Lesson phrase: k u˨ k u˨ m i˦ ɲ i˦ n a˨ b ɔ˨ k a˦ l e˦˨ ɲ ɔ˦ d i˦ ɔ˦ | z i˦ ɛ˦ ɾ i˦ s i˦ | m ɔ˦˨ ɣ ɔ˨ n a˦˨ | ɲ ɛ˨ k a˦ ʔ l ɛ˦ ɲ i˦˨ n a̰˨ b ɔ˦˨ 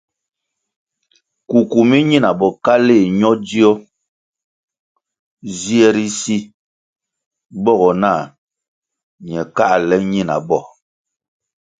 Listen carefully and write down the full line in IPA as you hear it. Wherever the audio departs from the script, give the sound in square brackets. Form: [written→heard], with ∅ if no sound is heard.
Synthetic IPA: k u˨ k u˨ m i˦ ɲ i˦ n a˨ b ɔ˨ k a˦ l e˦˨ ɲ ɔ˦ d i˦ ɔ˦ | z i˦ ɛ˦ ɾ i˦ s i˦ | [m→b] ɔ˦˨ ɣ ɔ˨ n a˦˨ | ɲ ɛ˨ k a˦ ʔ l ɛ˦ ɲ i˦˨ n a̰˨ b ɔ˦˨